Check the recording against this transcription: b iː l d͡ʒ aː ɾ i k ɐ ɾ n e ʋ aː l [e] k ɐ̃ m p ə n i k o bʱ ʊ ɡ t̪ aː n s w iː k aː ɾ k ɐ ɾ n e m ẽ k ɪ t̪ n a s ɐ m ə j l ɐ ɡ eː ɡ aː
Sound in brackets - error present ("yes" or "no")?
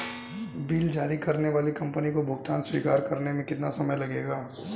yes